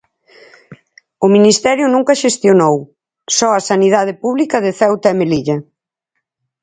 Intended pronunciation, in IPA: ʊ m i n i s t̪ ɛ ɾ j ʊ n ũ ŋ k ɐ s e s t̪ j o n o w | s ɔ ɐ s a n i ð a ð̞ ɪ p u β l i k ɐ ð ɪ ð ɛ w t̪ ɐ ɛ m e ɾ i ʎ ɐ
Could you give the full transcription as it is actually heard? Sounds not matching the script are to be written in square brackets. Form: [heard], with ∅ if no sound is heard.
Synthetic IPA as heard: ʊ m i n i s t̪ ɛ ɾ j ʊ n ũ ŋ k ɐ [ʃ] e s t̪ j o n o w | s ɔ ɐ s a n i ð a ð̞ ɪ p u β l i k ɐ ð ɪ [θ] ɛ w t̪ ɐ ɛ m e [l] i ʎ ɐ